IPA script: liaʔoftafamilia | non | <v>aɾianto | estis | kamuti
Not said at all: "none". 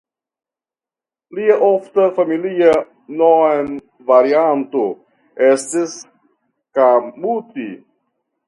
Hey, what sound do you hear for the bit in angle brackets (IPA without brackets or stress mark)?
v